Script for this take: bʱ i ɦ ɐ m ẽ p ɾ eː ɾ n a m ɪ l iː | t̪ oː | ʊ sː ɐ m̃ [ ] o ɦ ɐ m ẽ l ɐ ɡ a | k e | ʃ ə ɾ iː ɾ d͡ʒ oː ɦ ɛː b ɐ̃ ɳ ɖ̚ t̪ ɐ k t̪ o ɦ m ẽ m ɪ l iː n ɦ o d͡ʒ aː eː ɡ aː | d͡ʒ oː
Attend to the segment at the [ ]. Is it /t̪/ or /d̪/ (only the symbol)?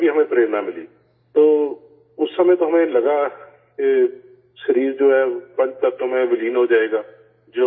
t̪